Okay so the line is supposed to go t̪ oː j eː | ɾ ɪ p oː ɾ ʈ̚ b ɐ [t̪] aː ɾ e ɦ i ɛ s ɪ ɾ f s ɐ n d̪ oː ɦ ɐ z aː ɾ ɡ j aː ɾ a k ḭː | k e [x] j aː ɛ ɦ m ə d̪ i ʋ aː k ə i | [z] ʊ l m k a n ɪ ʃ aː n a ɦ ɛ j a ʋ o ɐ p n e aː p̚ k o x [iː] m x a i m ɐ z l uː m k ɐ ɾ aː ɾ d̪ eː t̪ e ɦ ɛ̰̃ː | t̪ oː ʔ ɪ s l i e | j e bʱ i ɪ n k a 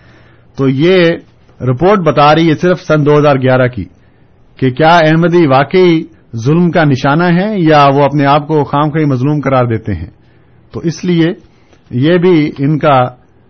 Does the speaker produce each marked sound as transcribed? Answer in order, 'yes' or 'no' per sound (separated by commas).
yes, no, yes, no